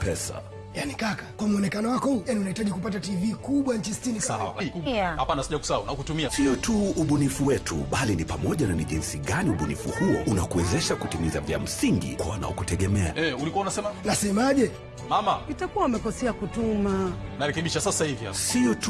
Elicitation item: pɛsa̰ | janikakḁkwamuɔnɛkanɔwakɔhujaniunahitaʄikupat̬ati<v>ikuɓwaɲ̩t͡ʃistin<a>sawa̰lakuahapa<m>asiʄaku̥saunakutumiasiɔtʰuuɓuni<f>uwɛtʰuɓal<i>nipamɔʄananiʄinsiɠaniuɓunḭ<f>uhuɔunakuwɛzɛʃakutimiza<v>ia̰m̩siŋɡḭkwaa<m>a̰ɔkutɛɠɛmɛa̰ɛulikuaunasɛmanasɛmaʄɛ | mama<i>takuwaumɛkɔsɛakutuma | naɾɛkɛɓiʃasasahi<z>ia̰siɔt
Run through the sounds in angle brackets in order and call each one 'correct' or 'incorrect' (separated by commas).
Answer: correct, incorrect, incorrect, correct, correct, correct, correct, incorrect, correct, incorrect